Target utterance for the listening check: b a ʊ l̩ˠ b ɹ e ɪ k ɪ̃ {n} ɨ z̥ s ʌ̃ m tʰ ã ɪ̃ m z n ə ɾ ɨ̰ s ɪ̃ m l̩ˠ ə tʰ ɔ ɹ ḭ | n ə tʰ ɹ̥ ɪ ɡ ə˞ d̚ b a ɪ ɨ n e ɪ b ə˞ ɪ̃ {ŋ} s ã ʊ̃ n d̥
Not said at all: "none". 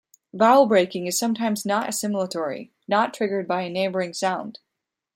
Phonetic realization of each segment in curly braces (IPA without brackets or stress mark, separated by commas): ŋ, ŋ